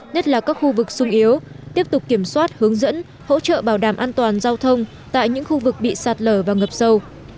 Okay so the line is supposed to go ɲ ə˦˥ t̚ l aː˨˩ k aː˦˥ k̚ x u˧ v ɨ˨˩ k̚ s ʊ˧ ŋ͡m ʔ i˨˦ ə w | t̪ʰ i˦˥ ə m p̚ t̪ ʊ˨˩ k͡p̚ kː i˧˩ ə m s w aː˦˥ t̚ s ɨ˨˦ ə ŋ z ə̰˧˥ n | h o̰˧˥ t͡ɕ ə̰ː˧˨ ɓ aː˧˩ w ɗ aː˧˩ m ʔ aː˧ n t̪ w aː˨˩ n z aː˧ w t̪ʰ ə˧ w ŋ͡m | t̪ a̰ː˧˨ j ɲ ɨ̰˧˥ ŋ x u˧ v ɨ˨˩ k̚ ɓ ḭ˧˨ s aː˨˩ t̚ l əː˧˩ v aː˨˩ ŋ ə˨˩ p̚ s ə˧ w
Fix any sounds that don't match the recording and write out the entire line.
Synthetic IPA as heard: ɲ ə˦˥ t̚ l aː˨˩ k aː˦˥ k̚ x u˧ v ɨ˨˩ k̚ s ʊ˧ ŋ͡m ʔ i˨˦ ə w | t̪ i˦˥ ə p̚ t̪ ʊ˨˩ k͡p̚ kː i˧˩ ə m s w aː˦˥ t̚ h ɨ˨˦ ə ŋ z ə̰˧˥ n | h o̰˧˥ t͡ɕ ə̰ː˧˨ ɓ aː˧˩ w ɗ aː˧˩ m ʔ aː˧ n t̪ w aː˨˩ n z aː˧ w t̪ʰ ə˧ w ŋ͡m | t̪ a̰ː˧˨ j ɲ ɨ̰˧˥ ŋ x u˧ v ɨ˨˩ k̚ ɓ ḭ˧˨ s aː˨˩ t̚ l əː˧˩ v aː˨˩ ŋ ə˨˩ p̚ s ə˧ w